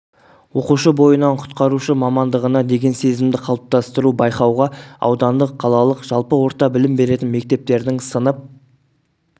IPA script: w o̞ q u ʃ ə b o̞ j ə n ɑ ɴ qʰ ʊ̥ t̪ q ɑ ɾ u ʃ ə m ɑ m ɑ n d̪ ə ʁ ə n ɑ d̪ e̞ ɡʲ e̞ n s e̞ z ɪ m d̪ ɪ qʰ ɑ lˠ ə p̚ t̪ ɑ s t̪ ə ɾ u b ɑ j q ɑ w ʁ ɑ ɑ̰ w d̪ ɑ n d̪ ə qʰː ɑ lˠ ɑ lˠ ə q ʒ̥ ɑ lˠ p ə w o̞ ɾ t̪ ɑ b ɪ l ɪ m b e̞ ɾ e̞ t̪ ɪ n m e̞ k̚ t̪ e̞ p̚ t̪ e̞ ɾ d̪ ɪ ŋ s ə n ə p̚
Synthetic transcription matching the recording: w o̞ q u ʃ ə b o̞ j ə n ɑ ɴ qʰ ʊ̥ t̪ q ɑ ɾ u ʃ ə m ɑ m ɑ n d̪ ə ʁ ə n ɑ d̪ e̞ ɡʲ e̞ n s e̞ z ɪ m d̪ ɪ qʰ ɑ lˠ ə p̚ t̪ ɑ s t̪ ə ɾ u b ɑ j q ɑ w ʁ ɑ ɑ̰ w d̪ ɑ n d̪ ə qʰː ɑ lˠ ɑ lˠ ə q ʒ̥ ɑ lˠ p ə w o̞ ɾ t̪ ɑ b ɪ l ɪ m b e̞ ɾ e̞ t̪ ɪ n m e̞ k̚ t̪ e̞ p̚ t̪ e̞ ɾ d̪ ɪ ŋ s ə n ə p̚